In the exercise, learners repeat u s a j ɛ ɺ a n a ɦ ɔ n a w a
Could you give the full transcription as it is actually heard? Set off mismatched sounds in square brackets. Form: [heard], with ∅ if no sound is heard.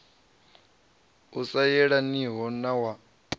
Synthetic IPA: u s a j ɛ ɺ a n [i] ɦ ɔ n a w a